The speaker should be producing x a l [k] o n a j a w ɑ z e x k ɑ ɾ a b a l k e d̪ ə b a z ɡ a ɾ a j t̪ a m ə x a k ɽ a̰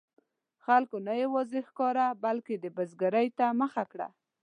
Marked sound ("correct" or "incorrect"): correct